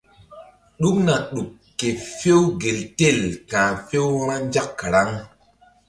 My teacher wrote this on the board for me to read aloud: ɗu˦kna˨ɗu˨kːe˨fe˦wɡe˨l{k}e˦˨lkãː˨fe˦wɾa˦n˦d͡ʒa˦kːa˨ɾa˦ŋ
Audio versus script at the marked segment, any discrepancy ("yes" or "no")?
yes